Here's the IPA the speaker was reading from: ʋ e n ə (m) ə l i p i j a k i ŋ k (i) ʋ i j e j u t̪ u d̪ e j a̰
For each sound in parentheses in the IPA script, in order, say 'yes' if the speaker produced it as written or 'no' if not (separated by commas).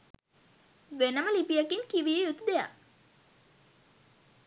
yes, yes